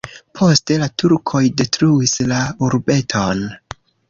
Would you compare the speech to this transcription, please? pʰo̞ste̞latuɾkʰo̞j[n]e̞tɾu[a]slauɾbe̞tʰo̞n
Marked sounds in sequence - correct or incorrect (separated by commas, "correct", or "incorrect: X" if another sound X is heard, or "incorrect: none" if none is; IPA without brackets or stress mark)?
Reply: incorrect: d, incorrect: i